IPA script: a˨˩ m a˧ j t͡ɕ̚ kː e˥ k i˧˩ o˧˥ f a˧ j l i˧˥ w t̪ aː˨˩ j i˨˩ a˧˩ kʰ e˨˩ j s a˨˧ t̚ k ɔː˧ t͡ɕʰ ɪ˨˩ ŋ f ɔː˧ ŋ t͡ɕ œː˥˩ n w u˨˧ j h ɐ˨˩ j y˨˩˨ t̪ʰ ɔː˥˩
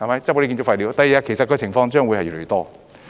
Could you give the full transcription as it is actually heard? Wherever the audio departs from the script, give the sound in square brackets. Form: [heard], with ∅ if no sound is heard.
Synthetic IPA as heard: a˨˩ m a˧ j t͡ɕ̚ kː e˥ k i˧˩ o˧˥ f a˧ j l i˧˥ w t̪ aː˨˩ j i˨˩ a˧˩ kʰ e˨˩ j s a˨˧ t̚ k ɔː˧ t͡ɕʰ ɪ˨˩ ŋ f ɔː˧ ŋ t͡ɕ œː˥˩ [ŋ] w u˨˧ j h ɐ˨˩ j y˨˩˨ [t̪] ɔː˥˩